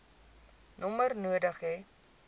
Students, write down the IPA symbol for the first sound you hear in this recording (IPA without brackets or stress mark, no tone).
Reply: n